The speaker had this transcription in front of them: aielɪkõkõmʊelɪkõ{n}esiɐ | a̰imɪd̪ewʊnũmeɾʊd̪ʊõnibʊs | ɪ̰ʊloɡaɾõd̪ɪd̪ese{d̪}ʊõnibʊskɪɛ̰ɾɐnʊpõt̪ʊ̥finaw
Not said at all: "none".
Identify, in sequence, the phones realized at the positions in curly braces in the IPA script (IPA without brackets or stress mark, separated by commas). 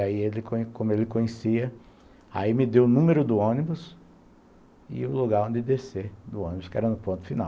ɲ, d̪